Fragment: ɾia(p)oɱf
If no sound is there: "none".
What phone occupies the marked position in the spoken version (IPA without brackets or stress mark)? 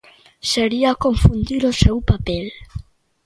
k